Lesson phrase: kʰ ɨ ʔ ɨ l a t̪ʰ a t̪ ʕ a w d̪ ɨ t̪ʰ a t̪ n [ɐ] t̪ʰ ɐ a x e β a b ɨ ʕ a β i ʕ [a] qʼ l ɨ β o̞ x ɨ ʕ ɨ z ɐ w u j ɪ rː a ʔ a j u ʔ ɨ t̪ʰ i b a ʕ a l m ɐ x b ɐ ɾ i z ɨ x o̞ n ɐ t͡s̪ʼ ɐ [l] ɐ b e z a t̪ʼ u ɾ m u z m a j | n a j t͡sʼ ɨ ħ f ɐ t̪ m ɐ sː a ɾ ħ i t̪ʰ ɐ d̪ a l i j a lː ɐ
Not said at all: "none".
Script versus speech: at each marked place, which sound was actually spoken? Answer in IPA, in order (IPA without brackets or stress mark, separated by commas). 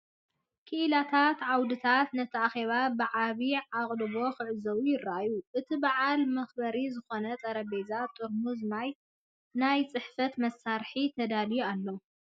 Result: ɐ, a, ɾ